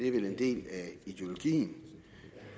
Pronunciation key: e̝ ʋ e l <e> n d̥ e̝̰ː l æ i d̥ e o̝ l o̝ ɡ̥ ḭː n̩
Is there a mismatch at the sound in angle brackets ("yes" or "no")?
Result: no